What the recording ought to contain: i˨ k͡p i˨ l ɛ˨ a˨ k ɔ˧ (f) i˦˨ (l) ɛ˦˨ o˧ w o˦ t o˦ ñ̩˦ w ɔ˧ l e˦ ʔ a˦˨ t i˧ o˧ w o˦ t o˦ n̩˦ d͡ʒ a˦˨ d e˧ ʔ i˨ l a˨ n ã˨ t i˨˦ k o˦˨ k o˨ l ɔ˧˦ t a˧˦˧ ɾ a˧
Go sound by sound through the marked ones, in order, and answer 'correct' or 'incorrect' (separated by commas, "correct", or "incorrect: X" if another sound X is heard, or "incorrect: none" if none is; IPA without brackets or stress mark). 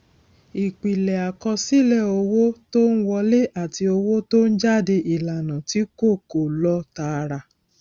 incorrect: s, correct